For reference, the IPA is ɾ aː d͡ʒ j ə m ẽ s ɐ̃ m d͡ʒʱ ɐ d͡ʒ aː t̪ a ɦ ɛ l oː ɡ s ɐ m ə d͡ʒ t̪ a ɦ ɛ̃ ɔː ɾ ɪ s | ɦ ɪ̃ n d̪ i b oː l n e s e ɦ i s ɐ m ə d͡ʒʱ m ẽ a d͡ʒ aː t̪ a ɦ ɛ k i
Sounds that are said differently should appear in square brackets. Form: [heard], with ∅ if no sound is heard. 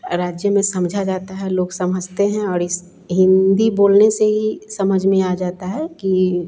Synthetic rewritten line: ɾ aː d͡ʒ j ə m ẽ s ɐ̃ m d͡ʒʱ [a] d͡ʒ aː t̪ a ɦ ɛ l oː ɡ s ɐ m ə d͡ʒ t̪ [e] ɦ ɛ̃ ɔː ɾ ɪ s | ɦ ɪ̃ n d̪ i b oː l n e s e ɦ i s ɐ m ə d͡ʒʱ m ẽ a d͡ʒ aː t̪ a ɦ ɛ k i